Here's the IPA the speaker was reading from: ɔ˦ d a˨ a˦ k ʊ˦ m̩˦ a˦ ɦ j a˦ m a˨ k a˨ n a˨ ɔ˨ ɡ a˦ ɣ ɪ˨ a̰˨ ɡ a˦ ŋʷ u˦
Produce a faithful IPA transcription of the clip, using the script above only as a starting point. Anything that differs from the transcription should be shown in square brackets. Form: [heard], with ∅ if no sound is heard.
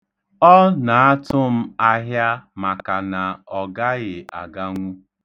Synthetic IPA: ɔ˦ [n] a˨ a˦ [t] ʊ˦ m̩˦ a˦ ɦ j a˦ m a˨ k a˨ n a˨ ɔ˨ ɡ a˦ ɣ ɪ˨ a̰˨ ɡ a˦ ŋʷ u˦